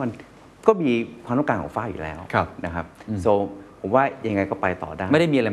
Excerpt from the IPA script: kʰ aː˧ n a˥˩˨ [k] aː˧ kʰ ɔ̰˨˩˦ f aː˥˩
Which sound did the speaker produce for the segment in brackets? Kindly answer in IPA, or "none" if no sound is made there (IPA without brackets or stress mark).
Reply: k